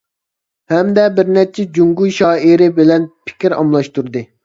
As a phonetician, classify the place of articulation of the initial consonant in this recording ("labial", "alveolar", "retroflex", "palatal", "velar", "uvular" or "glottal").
glottal